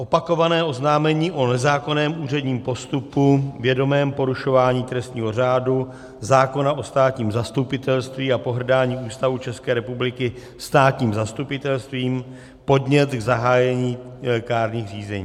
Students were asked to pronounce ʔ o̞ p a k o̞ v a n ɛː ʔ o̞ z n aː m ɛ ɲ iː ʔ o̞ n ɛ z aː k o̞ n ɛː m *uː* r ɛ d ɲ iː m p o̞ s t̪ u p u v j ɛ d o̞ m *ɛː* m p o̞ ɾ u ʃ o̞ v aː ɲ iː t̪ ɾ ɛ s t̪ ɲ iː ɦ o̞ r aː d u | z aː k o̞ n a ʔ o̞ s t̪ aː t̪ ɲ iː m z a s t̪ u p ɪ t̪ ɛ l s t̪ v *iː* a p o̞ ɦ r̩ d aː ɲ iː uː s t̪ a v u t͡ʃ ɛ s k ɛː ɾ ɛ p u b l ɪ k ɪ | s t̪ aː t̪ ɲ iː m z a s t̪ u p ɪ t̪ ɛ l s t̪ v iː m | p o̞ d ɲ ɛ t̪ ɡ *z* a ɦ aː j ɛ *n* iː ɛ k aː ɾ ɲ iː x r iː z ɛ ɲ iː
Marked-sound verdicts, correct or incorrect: correct, correct, correct, correct, incorrect: ɲ

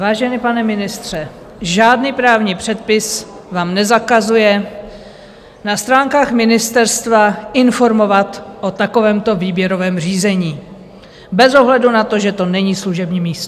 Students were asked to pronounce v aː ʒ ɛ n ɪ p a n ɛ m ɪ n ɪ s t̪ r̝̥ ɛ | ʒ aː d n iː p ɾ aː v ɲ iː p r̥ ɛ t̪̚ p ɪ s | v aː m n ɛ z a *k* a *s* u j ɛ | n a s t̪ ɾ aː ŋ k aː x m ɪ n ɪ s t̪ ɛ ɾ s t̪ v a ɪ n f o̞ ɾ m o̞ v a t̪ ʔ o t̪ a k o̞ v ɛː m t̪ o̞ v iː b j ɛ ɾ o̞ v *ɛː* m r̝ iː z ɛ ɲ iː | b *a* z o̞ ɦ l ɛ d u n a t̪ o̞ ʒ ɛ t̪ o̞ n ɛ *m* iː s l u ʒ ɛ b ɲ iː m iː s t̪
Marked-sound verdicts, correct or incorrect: correct, incorrect: z, correct, incorrect: ɛ, incorrect: ɲ

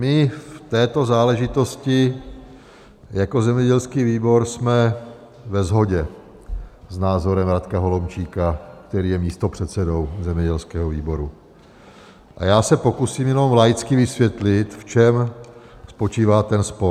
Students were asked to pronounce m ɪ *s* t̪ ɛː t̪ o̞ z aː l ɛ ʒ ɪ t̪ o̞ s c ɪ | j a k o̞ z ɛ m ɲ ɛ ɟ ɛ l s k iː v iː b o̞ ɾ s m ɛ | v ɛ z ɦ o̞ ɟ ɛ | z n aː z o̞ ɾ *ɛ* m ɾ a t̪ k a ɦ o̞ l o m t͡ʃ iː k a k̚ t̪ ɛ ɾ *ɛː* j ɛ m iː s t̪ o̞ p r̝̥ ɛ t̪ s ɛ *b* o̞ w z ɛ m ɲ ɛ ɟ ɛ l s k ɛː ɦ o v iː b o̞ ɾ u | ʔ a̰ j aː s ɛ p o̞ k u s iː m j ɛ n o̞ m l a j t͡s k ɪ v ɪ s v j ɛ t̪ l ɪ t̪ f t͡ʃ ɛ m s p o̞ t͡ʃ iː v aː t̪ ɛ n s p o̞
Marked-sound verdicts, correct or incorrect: incorrect: f, correct, incorrect: iː, incorrect: d

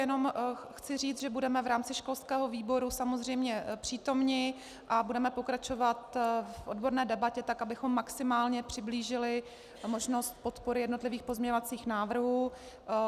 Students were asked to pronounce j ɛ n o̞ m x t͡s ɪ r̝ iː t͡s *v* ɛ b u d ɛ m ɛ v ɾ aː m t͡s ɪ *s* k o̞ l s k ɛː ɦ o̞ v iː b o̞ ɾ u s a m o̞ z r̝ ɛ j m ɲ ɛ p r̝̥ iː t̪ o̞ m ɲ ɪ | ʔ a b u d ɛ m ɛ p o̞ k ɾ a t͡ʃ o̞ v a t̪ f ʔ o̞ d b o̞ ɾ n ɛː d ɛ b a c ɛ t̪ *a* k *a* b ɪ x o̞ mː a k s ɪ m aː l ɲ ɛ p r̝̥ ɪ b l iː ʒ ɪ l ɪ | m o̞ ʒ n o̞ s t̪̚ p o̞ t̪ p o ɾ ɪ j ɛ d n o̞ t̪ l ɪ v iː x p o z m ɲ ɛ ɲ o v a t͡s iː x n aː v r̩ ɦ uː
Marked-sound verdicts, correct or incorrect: incorrect: ʒ, incorrect: ʃ, correct, correct

